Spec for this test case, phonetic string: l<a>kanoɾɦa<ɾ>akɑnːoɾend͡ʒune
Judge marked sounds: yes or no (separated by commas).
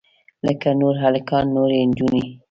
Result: no, no